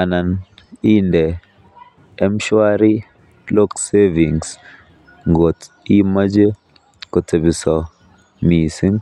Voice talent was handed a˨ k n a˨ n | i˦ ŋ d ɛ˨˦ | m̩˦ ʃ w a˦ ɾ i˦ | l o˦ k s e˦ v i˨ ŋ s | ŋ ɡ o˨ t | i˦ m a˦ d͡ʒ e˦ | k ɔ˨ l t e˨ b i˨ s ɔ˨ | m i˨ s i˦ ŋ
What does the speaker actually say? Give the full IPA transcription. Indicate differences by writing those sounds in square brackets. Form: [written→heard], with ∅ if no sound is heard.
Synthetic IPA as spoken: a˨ [k→∅] n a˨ n | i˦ [ŋ→n] d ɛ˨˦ | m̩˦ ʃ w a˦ ɾ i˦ | l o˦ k s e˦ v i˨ ŋ s | ŋ ɡ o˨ t | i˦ m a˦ d͡ʒ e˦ | k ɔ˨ [l→∅] t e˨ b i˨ s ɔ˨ | m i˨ s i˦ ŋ